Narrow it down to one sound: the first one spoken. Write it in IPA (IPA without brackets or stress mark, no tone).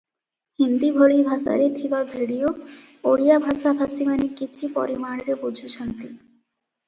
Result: h